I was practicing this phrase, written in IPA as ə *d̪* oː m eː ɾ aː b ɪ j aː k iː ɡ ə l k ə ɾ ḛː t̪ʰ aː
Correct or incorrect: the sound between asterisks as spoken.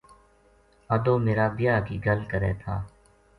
correct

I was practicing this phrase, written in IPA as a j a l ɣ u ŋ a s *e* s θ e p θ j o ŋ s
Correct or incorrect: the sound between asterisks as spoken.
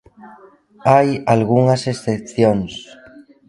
correct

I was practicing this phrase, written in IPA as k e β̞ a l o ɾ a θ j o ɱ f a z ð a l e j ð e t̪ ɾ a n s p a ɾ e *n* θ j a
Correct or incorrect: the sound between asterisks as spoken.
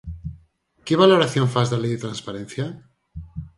correct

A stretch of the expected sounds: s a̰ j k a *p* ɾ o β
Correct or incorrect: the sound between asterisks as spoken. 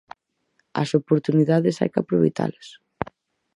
correct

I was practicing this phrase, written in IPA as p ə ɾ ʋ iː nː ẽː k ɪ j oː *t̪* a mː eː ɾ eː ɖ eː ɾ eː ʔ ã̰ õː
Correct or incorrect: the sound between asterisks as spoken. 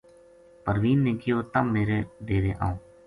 correct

